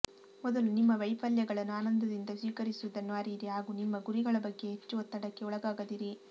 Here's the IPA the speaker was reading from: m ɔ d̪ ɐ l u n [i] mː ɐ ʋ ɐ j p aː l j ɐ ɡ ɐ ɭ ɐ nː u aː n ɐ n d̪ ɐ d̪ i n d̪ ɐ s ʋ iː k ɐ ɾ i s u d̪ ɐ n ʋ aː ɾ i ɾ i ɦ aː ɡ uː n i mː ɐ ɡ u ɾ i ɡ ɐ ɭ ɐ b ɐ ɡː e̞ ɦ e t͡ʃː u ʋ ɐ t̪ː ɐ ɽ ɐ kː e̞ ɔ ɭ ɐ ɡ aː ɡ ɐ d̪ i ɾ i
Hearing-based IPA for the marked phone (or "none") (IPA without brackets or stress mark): i